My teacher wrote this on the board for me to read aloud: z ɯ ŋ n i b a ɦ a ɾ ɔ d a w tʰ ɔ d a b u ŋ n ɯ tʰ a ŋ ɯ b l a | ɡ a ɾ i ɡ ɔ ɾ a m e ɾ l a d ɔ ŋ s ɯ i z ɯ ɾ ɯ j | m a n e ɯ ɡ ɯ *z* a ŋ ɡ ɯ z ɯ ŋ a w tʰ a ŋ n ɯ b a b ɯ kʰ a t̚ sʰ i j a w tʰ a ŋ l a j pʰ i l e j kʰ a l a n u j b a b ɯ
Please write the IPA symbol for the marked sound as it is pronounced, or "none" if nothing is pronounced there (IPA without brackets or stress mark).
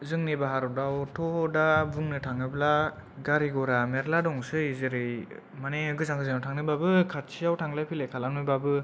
z